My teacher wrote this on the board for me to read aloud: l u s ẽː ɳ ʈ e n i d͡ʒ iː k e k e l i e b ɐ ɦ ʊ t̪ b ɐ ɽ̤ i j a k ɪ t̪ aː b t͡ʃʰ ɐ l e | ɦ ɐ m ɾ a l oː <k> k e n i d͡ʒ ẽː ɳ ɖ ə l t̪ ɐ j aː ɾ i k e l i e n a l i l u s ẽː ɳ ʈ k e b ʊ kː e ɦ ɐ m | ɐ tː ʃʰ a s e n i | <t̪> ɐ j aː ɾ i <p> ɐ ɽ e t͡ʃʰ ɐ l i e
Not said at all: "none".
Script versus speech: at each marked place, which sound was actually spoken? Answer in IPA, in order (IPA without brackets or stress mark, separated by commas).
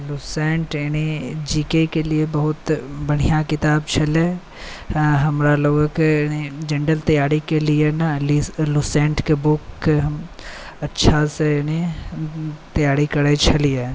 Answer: ɡ, t̪, k